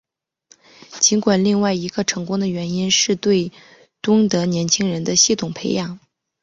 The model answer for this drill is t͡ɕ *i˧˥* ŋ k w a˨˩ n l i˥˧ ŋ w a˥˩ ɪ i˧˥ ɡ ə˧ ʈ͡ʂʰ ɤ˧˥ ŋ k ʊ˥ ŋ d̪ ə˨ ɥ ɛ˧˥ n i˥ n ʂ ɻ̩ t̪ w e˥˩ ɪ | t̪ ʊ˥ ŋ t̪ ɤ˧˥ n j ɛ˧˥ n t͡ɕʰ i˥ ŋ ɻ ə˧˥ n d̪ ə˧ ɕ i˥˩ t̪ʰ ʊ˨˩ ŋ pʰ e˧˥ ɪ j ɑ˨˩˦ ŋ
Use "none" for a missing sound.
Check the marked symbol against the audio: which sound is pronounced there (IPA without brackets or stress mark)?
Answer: i˧˥